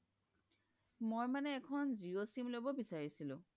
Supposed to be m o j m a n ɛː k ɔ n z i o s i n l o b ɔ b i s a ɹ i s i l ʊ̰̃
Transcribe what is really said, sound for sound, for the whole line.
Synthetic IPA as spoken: m o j m a n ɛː kʰ ɔ n z i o s i m l o b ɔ b i s a ɹ i s i l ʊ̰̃

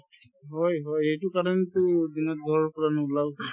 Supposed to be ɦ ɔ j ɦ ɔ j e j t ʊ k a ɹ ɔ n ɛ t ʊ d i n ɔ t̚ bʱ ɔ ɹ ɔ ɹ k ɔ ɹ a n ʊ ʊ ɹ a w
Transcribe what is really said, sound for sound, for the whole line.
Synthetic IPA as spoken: ɦ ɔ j ɦ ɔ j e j t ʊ k a ɹ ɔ n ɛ t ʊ d i n ɔ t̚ ɡʱ ɔ ɹ ɔ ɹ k ɔ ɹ a n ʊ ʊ l a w

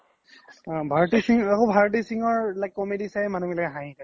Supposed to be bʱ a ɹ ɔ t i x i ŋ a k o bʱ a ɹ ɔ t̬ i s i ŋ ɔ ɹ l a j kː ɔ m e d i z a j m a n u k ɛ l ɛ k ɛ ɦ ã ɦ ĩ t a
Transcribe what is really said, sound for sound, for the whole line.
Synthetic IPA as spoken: bʱ a ɹ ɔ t i s i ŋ a k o bʱ a ɹ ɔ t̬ i s i ŋ ɔ ɹ l a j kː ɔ m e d i s a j m a n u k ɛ l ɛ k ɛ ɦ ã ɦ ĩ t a

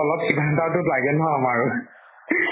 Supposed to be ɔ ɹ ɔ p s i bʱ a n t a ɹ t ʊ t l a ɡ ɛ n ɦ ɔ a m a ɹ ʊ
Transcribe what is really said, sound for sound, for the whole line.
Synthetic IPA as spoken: ɔ l ɔ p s i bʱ a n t a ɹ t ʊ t l a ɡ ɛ n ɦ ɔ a m a ɹ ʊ

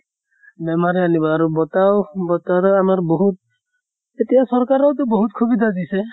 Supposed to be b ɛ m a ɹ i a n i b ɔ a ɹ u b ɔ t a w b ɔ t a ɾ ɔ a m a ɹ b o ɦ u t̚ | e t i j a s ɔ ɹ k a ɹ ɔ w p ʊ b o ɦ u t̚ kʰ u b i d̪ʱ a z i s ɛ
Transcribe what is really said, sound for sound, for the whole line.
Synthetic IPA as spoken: b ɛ m a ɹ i a n i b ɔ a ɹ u b ɔ t a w b ɔ t a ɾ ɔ a m a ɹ b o ɦ u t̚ | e t i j a s ɔ ɹ k a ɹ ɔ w t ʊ b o ɦ u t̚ kʰ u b i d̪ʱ a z i s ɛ

